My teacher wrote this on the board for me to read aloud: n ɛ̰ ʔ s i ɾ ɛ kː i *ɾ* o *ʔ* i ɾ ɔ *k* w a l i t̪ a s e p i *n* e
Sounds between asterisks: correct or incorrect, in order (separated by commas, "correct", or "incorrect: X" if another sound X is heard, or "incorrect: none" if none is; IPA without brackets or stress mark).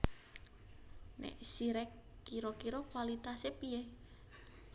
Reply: correct, incorrect: k, correct, incorrect: none